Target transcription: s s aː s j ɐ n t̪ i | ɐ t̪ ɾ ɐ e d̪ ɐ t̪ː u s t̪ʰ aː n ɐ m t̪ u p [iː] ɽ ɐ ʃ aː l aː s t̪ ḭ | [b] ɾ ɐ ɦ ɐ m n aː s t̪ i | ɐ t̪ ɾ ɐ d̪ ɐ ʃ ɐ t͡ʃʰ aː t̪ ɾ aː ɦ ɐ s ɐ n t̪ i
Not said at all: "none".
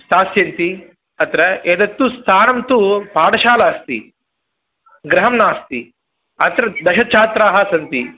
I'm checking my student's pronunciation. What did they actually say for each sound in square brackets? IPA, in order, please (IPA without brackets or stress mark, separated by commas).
aː, ɡ